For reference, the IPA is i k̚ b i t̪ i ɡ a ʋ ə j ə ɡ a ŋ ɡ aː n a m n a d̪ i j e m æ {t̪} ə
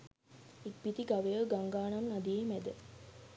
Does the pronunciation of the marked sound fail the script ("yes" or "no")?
yes